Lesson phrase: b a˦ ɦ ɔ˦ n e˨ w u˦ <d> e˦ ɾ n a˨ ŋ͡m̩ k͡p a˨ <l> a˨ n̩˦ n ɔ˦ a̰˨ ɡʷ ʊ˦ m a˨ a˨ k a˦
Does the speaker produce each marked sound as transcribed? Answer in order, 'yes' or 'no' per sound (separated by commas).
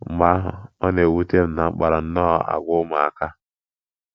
no, no